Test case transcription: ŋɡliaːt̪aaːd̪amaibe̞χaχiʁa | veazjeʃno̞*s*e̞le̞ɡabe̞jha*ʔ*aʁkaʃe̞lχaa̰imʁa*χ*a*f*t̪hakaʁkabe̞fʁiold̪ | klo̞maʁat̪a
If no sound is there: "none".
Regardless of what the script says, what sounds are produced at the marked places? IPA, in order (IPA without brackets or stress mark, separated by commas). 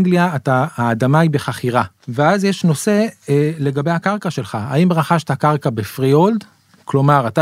s, k, χ, ʃ